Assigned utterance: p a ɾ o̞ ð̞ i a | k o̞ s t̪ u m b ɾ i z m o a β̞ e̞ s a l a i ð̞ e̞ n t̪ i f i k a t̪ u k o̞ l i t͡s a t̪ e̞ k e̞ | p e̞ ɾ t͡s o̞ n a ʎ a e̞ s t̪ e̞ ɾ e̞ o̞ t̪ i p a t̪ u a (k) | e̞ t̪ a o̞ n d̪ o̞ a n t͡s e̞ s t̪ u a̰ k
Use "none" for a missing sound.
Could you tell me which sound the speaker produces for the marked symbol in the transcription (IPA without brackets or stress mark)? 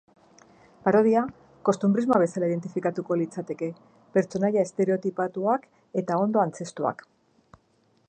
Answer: k